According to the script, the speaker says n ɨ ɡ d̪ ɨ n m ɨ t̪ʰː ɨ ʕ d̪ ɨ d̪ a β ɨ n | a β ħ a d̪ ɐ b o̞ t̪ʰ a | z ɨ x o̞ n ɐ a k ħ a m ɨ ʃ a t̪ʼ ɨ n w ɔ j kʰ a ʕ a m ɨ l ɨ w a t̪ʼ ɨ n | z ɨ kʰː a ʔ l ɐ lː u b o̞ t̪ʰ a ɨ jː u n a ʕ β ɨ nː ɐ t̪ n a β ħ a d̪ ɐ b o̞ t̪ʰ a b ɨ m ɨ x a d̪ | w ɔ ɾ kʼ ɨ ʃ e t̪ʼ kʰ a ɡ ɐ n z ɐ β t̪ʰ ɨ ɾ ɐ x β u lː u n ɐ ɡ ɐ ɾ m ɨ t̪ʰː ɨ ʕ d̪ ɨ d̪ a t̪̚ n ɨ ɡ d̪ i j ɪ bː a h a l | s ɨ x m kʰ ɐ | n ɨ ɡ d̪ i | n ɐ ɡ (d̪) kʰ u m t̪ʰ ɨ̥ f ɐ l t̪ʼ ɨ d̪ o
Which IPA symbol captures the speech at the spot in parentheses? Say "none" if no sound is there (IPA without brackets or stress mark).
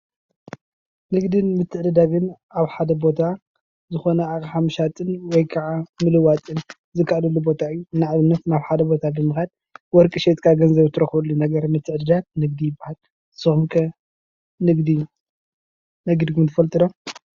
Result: d̪